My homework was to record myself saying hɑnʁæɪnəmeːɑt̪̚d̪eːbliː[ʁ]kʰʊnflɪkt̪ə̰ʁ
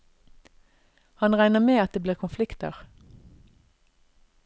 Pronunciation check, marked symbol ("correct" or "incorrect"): correct